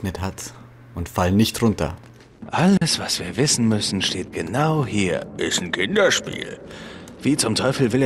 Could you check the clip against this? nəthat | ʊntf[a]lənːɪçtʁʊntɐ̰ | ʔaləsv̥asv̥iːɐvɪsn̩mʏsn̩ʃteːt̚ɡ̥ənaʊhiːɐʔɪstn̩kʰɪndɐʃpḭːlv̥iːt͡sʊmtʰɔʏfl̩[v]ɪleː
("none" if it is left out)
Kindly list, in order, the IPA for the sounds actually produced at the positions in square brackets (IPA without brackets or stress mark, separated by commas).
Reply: a, v